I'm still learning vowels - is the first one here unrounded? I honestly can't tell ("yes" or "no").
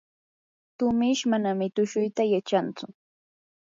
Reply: no